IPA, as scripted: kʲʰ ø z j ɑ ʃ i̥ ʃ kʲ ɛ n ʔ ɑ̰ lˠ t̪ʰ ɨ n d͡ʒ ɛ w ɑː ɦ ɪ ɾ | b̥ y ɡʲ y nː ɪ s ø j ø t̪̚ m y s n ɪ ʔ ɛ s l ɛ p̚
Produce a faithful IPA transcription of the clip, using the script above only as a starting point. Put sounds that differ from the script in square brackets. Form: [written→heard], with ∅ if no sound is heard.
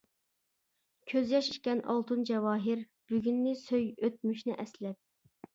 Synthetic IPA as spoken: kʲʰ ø z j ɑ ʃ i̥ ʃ kʲ ɛ n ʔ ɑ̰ lˠ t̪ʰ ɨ n d͡ʒ ɛ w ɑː ɦ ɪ ɾ | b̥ y ɡʲ y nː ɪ s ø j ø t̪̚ m y [s→ʃ] n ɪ ʔ ɛ s l ɛ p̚